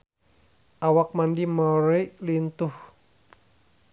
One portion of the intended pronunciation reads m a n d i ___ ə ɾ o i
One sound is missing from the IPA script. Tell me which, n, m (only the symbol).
m